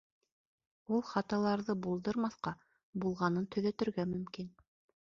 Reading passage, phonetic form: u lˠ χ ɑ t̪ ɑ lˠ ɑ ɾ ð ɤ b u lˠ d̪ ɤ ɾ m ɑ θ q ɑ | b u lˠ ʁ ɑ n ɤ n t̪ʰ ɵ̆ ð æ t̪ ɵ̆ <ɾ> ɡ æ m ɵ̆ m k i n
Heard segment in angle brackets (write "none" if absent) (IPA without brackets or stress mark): ɾ